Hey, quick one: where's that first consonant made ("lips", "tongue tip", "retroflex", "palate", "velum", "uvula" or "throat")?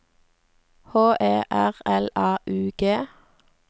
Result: throat